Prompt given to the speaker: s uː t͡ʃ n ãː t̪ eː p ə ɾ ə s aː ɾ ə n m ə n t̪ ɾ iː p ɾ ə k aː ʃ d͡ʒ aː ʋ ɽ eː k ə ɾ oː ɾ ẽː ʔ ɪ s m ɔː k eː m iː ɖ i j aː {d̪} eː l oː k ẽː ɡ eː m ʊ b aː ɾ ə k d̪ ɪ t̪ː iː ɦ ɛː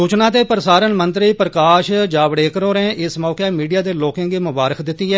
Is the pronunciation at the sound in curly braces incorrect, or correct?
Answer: correct